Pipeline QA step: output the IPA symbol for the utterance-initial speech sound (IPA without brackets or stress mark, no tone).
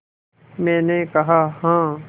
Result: m